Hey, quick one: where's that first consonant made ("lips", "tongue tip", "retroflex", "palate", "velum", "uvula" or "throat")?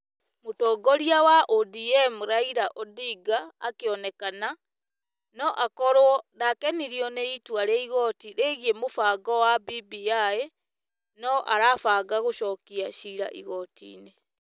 lips